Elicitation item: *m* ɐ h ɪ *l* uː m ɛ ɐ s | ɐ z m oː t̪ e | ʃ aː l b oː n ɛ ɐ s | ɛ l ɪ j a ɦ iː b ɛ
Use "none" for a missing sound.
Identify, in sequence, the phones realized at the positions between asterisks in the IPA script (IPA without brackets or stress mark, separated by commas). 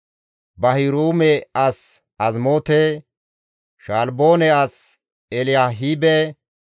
b, ɾ